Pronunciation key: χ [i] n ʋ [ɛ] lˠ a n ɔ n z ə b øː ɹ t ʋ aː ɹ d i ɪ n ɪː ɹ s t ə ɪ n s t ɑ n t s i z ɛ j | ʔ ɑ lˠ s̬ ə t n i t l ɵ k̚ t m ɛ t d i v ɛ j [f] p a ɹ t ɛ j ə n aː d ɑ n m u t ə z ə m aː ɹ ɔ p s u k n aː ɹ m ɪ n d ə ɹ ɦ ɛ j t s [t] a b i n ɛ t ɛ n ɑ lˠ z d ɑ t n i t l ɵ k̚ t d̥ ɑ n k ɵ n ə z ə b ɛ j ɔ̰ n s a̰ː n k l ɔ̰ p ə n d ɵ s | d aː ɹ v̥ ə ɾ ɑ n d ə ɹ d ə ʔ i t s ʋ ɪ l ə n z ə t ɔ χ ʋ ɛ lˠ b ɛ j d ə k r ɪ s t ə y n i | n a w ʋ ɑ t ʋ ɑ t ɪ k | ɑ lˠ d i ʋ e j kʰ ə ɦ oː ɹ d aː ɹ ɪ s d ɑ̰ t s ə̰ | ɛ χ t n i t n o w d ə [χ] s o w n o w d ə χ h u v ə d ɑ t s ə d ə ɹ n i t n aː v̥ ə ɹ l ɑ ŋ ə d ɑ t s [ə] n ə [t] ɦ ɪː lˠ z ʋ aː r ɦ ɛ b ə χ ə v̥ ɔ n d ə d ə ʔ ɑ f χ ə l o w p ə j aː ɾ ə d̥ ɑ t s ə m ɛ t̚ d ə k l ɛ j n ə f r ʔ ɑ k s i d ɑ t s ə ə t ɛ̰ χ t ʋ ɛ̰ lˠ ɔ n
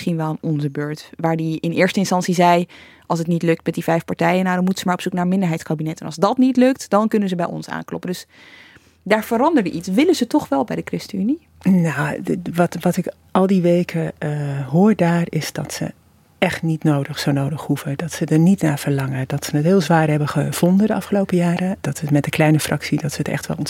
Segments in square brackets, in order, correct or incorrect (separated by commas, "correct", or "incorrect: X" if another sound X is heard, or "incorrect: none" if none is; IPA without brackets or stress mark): correct, correct, correct, incorrect: k, correct, correct, correct